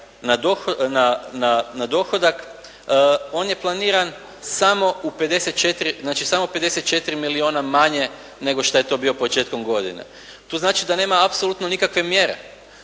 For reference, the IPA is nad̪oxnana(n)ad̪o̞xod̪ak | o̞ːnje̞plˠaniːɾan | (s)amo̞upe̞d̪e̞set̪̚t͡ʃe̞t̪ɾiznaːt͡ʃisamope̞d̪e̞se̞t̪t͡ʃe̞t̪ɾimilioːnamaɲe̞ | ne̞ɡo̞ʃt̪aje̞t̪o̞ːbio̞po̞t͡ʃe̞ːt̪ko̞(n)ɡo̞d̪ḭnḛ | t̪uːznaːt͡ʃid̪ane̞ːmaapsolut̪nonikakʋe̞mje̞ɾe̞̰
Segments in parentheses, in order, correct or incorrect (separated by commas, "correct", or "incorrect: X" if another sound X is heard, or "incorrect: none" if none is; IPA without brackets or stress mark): correct, correct, incorrect: m